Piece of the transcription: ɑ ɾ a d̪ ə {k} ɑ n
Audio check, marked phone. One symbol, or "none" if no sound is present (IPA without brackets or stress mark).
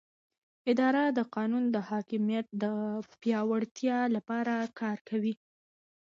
q